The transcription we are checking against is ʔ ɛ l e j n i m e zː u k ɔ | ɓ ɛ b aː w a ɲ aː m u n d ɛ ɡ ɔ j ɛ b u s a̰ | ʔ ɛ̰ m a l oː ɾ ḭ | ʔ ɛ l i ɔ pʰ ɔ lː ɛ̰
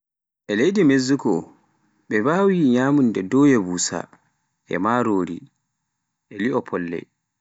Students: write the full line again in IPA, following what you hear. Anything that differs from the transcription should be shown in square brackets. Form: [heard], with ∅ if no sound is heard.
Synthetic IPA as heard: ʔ ɛ l e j [d] i m e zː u k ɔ | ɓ ɛ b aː w [i] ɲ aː m u n d ɛ [d] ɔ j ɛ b u s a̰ | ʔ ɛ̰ m a [ɾ] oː ɾ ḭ | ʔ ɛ l i ɔ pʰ ɔ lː ɛ̰